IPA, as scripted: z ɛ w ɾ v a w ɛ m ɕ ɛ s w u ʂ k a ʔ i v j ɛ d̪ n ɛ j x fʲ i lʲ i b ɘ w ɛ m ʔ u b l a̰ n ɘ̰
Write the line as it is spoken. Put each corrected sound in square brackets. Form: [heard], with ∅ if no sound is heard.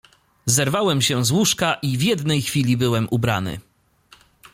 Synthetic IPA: z ɛ [∅] ɾ v a w ɛ m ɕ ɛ [z] w u ʂ k a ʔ i v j ɛ d̪ n ɛ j x fʲ i lʲ i b ɘ w ɛ m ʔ u b [ɾ] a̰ n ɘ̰